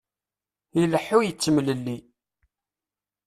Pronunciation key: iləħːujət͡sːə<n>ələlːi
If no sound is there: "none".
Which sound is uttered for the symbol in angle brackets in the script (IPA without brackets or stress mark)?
m